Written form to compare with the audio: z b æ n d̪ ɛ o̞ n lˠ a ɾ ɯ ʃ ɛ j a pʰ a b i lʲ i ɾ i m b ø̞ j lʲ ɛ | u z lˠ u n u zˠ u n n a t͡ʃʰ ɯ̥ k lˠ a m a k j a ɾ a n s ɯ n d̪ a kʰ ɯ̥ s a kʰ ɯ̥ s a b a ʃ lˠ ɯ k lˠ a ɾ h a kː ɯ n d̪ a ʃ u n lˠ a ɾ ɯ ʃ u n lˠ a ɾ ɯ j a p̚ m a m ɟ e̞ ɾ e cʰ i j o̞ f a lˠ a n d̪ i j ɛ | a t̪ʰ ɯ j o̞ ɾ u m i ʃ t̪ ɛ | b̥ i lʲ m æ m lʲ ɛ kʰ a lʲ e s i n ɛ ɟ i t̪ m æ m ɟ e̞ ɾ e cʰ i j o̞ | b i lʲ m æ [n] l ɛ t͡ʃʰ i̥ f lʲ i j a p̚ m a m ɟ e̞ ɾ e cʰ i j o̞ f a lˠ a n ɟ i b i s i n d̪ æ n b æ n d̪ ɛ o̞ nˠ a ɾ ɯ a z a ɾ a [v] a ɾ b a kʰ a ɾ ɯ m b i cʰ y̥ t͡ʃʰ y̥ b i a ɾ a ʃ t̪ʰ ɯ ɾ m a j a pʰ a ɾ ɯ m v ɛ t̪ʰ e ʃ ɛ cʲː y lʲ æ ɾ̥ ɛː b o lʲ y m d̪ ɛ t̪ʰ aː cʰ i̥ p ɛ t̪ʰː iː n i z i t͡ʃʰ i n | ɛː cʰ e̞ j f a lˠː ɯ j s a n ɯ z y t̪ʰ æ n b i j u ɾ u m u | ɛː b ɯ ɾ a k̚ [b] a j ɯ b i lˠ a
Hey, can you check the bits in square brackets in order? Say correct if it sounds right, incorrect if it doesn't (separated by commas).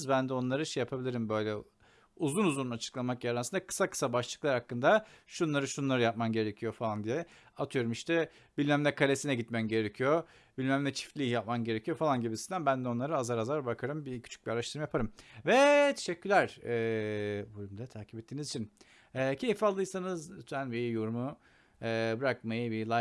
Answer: incorrect, incorrect, incorrect